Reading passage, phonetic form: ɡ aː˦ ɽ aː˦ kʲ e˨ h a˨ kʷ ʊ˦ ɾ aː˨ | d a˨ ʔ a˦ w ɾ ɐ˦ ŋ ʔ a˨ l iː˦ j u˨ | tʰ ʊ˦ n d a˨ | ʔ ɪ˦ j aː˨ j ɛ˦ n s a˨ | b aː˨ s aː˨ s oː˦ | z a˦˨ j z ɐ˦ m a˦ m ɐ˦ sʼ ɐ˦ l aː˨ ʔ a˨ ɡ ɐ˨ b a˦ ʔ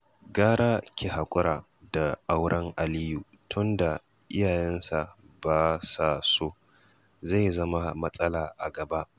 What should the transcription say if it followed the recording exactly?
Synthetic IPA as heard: ɡ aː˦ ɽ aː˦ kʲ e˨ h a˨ kʷʼ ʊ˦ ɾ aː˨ | d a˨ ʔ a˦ w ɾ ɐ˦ ŋ ʔ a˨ l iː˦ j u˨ | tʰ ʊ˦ n d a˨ | ʔ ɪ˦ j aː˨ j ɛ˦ n s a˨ | b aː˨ s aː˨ s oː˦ | z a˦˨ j z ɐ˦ m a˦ m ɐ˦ sʼ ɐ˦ l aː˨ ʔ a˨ ɡ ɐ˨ b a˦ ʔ